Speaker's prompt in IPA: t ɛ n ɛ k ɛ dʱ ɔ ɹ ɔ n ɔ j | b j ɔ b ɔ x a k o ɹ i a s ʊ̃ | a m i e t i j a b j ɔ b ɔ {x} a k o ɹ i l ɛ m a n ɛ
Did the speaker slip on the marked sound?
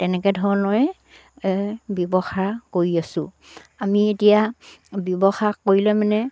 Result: no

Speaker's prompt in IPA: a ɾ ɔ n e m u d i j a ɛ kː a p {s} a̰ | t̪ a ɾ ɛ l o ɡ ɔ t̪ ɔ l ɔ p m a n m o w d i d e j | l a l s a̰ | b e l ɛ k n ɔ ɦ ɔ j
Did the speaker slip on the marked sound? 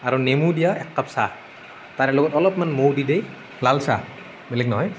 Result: no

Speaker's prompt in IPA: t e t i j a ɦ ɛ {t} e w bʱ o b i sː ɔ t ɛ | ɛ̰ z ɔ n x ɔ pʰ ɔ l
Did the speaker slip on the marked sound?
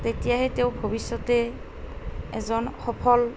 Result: no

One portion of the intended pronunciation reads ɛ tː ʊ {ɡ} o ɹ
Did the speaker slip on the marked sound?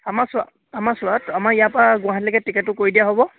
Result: yes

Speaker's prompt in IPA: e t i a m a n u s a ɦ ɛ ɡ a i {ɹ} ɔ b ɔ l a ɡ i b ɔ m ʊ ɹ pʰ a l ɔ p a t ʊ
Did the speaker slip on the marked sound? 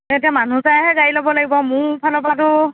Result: yes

